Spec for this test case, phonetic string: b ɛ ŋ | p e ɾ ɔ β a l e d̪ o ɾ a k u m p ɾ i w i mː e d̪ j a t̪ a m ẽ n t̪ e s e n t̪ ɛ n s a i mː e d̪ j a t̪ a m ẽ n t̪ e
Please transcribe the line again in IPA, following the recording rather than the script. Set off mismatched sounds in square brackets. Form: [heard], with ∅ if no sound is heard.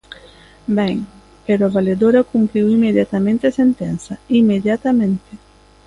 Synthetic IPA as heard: b ɛ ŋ | p e ɾ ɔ [v] a l e d̪ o ɾ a k u m p ɾ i w i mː e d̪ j a t̪ a m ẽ n t̪ e s e n t̪ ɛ n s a i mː e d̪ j a t̪ a m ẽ n t̪ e